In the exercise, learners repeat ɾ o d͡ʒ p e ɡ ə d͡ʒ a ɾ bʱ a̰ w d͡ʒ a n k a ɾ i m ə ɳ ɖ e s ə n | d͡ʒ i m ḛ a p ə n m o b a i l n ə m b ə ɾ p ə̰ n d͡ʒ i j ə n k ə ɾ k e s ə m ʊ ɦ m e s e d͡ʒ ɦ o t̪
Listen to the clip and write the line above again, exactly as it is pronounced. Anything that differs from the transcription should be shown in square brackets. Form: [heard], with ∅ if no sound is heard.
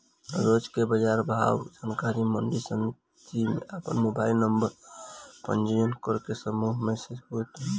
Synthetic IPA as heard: ɾ o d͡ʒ [k] e [b] ə d͡ʒ a ɾ bʱ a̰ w d͡ʒ a n k a ɾ i m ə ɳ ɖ [i] s ə n | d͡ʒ i m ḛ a p ə n m o b a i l n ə m b ə ɾ p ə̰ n d͡ʒ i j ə n k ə ɾ k e s ə m [u] ɦ m e s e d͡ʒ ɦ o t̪

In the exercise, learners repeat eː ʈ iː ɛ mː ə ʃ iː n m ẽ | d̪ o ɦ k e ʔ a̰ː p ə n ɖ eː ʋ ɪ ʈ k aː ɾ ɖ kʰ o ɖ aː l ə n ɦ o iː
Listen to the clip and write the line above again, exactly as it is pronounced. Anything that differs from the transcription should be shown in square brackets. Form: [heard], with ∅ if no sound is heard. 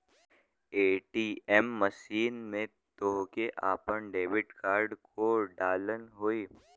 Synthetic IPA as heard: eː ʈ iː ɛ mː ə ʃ iː n m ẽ | [t̪] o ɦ k e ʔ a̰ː p ə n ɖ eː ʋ ɪ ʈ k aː ɾ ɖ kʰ o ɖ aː l ə n ɦ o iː

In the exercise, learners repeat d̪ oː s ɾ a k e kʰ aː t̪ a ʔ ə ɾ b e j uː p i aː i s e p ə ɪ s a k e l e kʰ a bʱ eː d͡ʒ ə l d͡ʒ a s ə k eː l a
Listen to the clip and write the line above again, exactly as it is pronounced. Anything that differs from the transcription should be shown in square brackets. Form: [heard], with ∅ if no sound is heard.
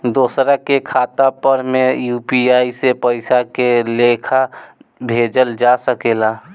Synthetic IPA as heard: d̪ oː s ɾ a k e kʰ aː t̪ a [p] ə ɾ [m] e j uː p i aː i s e p ə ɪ s a k e l e kʰ a bʱ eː d͡ʒ ə l d͡ʒ a s ə k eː l a

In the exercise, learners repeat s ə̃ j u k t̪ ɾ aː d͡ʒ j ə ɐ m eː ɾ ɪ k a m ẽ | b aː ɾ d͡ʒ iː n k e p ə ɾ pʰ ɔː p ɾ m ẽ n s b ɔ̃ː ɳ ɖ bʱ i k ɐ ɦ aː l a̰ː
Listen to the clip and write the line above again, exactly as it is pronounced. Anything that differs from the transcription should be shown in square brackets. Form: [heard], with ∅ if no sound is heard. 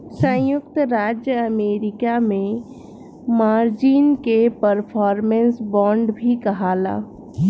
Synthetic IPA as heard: s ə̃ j [ʊ] k t̪ ɾ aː d͡ʒ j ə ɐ m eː ɾ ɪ k a m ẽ | [m] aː ɾ d͡ʒ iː n k e p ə ɾ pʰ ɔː [∅] ɾ m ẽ n s b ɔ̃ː ɳ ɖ bʱ i k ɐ ɦ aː l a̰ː

